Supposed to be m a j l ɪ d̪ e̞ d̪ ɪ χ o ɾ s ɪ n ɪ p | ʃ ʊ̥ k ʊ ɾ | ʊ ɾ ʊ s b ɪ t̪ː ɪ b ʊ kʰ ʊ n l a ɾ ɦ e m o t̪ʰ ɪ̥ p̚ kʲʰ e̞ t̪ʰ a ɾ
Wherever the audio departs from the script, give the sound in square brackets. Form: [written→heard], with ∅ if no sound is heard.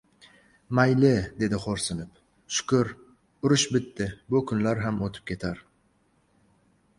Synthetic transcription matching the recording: m a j l ɪ d̪ e̞ d̪ ɪ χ o ɾ s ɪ n ɪ p | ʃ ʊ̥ k ʊ ɾ | ʊ ɾ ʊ [s→ʃ] b ɪ t̪ː ɪ b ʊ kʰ ʊ n l a ɾ ɦ [e→a] m o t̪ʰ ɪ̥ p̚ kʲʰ e̞ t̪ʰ a ɾ